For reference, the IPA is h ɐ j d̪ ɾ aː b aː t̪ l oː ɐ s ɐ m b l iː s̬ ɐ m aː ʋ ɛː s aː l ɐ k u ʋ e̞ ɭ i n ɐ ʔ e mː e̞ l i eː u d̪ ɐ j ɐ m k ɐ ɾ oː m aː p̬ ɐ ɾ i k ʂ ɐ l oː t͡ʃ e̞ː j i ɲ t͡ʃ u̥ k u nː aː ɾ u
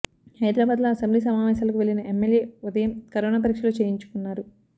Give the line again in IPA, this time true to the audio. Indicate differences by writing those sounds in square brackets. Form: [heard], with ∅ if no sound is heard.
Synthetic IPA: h ɐ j d̪ ɾ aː b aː [d̪] l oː ɐ s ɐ m b l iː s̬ ɐ m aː ʋ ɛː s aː l ɐ k u ʋ e̞ ɭ i n ɐ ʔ e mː e̞ l [j] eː u d̪ ɐ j ɐ m k ɐ ɾ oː [n] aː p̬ ɐ ɾ i k ʂ ɐ l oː t͡ʃ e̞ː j i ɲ t͡ʃ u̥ k u nː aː ɾ u